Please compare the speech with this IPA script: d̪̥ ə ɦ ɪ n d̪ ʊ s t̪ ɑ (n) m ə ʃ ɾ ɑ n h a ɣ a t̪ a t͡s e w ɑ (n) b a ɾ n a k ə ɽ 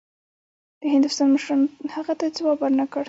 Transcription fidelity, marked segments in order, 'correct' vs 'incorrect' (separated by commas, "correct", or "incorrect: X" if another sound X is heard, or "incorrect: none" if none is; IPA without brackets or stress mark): correct, incorrect: none